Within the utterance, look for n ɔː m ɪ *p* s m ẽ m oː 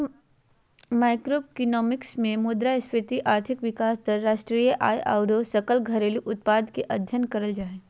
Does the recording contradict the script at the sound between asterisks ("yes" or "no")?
yes